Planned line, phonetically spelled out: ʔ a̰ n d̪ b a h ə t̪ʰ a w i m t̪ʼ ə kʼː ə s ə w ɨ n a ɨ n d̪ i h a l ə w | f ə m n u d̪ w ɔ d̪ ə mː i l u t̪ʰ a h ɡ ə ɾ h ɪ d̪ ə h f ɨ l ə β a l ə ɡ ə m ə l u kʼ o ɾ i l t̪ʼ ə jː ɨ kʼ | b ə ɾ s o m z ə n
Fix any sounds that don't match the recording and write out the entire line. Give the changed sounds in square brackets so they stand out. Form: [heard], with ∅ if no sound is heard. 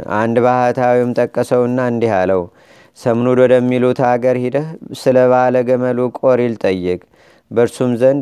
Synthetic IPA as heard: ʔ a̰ n d̪ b a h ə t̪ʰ a w i m t̪ʼ ə kʼː ə s ə w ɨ [nː] a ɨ n d̪ i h a l ə w | [s] ə m n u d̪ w ɔ d̪ ə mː i l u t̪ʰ a [∅] ɡ ə ɾ h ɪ d̪ ə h [s] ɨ l ə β a l ə ɡ ə m ə l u kʼ o ɾ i l t̪ʼ ə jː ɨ kʼ | b ə ɾ s [u] m z ə n